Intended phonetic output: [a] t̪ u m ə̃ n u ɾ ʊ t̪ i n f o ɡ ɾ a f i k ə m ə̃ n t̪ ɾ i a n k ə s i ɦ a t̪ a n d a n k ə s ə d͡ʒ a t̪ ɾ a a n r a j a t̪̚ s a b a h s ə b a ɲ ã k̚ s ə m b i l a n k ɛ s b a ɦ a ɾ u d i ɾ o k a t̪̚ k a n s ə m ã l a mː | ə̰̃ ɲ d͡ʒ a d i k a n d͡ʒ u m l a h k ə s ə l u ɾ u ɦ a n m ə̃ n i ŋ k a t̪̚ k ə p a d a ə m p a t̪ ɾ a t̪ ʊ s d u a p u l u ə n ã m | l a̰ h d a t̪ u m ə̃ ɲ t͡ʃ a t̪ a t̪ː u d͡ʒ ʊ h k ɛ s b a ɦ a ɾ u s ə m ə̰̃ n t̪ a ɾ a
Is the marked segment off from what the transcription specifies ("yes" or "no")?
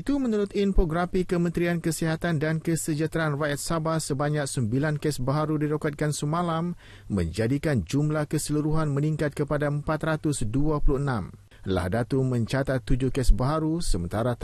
yes